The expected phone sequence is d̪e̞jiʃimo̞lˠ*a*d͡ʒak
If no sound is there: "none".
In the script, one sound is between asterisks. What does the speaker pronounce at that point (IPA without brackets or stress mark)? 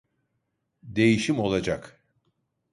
a